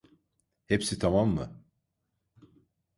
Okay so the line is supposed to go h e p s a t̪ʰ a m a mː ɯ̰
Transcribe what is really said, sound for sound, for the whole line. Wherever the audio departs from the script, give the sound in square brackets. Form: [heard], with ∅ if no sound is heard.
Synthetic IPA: h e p s [i] t̪ʰ a m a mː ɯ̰